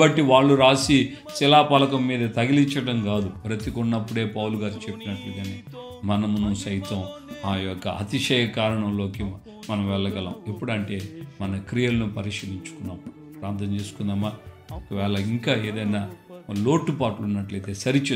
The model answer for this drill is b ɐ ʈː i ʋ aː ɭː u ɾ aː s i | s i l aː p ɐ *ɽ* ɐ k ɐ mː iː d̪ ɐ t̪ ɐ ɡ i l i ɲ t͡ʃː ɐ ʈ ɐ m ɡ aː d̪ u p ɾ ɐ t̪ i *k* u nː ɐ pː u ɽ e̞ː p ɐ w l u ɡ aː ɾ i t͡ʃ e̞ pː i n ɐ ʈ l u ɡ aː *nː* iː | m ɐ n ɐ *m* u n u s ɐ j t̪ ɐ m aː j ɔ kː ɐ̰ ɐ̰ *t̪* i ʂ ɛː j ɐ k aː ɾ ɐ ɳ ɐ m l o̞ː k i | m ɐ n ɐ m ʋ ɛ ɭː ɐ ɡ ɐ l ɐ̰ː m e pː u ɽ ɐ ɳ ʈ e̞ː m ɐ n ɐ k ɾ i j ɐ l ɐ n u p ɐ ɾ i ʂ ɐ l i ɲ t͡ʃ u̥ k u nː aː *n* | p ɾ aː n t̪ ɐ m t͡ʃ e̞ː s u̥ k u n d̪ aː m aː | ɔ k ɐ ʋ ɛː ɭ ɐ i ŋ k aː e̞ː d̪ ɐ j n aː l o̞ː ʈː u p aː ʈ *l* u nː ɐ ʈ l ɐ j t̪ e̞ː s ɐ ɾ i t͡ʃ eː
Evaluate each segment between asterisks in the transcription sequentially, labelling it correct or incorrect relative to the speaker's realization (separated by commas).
incorrect, correct, incorrect, correct, correct, incorrect, correct